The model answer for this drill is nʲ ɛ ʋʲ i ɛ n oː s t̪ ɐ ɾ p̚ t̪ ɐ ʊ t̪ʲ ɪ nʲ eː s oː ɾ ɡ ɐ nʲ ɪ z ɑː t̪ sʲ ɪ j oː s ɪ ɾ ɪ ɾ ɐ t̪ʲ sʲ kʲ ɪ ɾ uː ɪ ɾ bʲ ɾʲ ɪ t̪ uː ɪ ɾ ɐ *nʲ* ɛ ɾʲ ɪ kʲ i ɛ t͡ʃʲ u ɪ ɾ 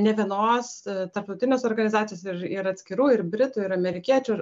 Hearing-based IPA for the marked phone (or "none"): mʲ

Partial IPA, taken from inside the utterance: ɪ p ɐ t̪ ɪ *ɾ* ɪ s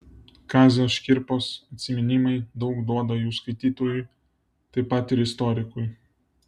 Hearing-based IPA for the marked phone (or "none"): ɾ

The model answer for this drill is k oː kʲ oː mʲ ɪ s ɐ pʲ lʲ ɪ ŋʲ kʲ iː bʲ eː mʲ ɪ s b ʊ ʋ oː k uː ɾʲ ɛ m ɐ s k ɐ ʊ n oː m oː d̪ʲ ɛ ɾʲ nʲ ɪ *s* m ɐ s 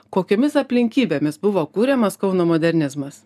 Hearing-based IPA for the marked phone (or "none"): z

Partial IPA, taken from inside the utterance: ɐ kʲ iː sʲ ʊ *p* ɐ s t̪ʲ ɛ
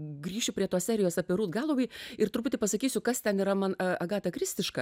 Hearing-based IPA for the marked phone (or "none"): k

